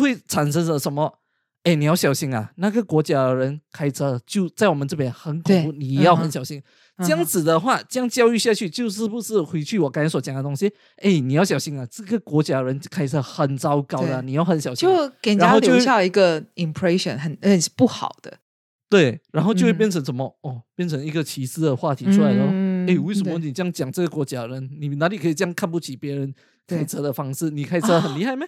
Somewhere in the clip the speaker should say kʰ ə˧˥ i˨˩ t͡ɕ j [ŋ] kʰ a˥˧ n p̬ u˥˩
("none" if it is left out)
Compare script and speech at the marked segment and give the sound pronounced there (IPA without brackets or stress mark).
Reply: ŋ